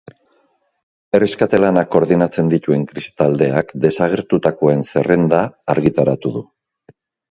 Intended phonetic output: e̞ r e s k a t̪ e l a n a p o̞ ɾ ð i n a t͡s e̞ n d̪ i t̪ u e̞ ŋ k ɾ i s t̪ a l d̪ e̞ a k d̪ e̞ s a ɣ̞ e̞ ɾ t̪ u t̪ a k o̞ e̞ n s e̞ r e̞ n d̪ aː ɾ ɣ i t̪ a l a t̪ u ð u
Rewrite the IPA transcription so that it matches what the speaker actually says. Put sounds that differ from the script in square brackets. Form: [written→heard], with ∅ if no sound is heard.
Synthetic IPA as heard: e̞ r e s k a t̪ e l a n a [p→k] o̞ ɾ ð i n a t͡s e̞ n d̪ i t̪ u e̞ ŋ k ɾ i s t̪ a l d̪ e̞ a k d̪ e̞ s a ɣ̞ e̞ ɾ t̪ u t̪ a k o̞ e̞ n s e̞ r e̞ n d̪ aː ɾ ɣ i t̪ a [l→ɾ] a t̪ u ð u